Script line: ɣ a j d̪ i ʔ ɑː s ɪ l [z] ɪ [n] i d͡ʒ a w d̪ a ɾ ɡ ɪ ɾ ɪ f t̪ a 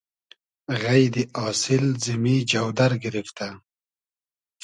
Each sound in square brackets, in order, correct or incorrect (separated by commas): correct, incorrect